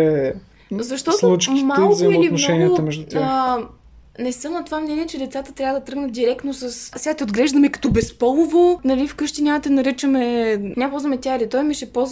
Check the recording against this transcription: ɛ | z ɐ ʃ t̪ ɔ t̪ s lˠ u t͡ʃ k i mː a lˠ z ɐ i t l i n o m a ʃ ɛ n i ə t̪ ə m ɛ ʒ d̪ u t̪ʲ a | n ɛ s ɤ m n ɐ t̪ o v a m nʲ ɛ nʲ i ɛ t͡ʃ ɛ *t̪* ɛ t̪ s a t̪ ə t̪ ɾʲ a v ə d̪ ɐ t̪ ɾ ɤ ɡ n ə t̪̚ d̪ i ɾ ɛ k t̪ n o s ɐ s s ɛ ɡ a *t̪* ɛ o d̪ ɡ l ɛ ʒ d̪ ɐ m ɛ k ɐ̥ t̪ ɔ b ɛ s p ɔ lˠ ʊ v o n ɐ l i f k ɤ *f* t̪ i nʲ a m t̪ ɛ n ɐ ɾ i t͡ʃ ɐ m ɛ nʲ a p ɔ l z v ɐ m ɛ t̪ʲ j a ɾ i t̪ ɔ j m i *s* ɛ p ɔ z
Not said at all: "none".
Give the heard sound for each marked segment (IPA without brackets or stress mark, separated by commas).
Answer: d̪, t̪, ʃ, ʃ